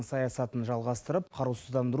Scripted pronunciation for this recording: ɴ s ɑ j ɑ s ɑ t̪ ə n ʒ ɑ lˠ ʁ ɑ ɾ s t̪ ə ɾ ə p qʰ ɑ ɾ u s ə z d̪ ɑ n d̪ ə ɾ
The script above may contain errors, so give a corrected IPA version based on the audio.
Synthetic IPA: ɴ s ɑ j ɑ s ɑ t̪ ə n ʒ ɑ lˠ ʁ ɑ s t̪ ə ɾ ə p qʰ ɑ ɾ u s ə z d̪ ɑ n d̪ ə ɾ